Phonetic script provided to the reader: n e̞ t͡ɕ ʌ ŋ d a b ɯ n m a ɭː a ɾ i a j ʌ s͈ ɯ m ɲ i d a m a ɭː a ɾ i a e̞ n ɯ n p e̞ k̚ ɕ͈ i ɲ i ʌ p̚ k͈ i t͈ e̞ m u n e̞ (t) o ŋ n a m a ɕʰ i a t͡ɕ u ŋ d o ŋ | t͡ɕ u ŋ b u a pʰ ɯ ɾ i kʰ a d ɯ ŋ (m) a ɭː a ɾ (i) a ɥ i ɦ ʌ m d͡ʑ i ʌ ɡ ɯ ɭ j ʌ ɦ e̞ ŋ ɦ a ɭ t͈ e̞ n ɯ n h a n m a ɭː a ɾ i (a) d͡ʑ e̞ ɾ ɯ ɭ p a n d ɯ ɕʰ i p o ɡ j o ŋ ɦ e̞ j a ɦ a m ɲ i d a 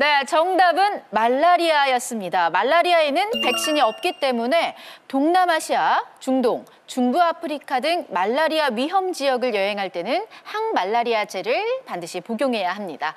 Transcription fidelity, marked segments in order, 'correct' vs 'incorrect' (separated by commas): correct, correct, correct, correct